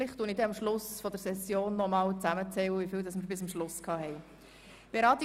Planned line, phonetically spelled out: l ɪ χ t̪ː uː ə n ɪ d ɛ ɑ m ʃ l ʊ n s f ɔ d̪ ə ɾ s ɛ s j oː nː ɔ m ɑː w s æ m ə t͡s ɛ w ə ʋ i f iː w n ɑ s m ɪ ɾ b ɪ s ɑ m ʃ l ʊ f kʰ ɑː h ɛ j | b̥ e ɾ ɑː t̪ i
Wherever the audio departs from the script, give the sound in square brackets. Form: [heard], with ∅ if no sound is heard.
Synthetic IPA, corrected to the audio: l ɪ χ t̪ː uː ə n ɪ d ɛ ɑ m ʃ l ʊ [∅] s f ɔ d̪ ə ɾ s ɛ s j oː nː ɔ m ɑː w [t͡s] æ m ə t͡s ɛ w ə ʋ i f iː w [d] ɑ s m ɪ ɾ b ɪ s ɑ m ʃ l ʊ [s] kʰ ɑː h ɛ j | b̥ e ɾ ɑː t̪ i

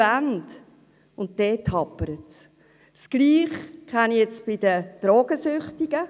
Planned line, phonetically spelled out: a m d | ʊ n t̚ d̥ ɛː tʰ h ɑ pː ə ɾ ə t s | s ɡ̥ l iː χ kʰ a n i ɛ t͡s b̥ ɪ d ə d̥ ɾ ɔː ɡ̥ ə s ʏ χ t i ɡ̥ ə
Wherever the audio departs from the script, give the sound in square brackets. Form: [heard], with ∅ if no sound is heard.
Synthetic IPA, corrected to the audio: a [n] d | ʊ n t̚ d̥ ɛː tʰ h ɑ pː ə ɾ ə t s | s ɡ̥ l iː χ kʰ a n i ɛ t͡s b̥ ɪ d ə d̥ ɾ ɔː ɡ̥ ə s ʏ χ t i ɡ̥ ə

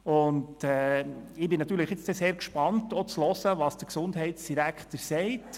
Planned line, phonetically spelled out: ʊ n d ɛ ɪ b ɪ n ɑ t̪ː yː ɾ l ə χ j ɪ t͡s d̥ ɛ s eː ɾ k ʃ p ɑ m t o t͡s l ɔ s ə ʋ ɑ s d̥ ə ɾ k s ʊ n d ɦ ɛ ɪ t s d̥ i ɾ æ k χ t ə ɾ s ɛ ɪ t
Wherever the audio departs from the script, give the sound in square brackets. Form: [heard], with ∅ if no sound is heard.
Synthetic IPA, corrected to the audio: ʊ n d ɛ ɪ b ɪ n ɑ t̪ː yː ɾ l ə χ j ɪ t͡s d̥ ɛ s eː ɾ k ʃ p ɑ [n] t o t͡s l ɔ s ə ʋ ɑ s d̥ ə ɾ k s ʊ n d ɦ ɛ ɪ t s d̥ i ɾ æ k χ t ə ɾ s ɛ ɪ t

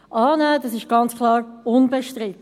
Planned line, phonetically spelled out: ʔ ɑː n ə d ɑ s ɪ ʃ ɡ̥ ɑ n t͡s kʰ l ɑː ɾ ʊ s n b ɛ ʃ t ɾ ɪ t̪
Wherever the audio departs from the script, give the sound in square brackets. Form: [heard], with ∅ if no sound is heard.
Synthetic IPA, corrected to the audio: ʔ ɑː n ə d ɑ s ɪ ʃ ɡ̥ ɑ n t͡s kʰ l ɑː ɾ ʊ [∅] n b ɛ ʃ t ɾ ɪ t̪

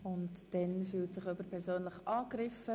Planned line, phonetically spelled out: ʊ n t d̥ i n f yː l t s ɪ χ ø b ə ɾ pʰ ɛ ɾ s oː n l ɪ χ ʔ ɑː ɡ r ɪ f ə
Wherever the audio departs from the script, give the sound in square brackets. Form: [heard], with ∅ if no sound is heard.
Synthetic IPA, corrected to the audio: ʊ n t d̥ [ɛ] n f yː l t s ɪ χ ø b ə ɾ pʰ ɛ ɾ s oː n l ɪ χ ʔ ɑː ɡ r ɪ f ə

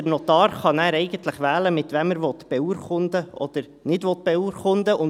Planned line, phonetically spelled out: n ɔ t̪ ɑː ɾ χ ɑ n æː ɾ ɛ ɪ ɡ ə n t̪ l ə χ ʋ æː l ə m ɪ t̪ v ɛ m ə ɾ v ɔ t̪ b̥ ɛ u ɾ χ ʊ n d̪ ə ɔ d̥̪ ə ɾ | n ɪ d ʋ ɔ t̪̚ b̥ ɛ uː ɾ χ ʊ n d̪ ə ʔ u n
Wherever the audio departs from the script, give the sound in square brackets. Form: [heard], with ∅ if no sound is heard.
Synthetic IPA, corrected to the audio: n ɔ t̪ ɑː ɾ χ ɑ n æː ɾ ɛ ɪ ɡ ə n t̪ l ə χ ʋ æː l ə m ɪ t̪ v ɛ m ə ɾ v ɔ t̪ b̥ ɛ u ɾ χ ʊ n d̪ ə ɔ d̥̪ ə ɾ | n ɪ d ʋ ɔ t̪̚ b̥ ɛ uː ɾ χ ʊ n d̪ ə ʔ [ʊ] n

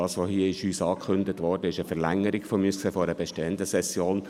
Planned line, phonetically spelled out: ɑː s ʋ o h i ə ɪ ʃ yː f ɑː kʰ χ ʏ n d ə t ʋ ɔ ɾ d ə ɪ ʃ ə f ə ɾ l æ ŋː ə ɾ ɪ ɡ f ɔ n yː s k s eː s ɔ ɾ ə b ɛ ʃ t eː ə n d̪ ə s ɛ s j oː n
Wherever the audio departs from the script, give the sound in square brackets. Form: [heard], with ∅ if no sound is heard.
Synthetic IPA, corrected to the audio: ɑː s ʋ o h i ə ɪ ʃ yː [s] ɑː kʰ χ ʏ n d ə t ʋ ɔ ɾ d ə ɪ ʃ ə f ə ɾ l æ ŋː ə ɾ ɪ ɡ f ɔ [m] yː s k s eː [f] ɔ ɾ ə b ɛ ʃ t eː ə n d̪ ə s ɛ s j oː n

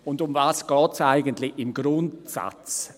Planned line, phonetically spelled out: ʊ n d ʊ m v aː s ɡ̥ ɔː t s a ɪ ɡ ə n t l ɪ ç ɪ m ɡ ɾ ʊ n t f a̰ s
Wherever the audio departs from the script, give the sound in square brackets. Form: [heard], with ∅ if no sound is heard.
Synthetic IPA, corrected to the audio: ʊ n d ʊ m v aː s ɡ̥ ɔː t s a ɪ ɡ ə n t l ɪ ç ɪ m ɡ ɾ ʊ n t [s] a̰ [t͡s]

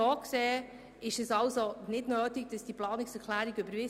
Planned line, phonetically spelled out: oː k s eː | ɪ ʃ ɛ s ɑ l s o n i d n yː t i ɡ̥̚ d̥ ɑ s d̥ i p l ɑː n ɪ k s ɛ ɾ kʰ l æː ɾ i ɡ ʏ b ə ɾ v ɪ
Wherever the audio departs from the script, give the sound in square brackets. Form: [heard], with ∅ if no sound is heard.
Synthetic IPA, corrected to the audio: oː k s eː | ɪ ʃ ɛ s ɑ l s o n [ɪ] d n [øː] t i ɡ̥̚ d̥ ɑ s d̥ i p l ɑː n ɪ k s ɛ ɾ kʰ l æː ɾ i ɡ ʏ b ə ɾ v ɪ

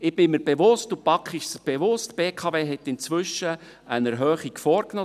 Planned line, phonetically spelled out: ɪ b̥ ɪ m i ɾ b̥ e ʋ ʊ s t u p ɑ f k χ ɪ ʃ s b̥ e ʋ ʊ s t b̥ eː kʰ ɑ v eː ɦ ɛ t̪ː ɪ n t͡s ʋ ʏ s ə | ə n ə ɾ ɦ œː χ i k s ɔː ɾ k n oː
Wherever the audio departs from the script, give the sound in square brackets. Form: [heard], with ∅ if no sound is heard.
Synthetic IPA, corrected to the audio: ɪ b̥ ɪ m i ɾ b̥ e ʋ ʊ s t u p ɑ [∅] k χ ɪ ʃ s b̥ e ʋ ʊ s t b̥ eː kʰ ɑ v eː ɦ ɛ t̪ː ɪ n t͡s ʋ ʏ [ʃ] ə | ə n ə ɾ ɦ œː χ i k [f] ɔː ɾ k n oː

